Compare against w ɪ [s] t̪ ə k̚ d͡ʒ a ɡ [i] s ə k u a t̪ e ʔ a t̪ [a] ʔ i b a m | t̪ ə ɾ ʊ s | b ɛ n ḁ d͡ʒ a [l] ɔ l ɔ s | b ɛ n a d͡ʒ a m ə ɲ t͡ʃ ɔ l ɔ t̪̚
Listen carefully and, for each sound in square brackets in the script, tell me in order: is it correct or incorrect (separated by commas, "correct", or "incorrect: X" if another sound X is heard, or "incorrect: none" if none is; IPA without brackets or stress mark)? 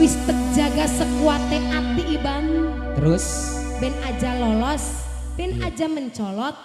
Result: correct, incorrect: a, incorrect: i, correct